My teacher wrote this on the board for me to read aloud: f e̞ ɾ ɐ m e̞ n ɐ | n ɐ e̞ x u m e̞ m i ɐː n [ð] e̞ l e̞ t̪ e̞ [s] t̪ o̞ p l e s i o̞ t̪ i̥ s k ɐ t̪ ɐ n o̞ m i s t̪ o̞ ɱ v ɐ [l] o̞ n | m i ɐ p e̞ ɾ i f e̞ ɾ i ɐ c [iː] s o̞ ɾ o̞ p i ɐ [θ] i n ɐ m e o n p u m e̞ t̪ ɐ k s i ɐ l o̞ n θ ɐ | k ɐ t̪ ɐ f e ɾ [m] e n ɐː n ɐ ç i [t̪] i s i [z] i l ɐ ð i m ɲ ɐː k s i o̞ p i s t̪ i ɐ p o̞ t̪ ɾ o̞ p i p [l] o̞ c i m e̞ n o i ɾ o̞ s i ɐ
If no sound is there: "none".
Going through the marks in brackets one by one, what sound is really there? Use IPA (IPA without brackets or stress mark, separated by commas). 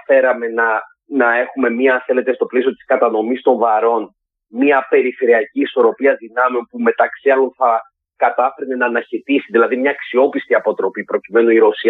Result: θ, s, ɾ, iː, ð, n, t̪, ð, ɾ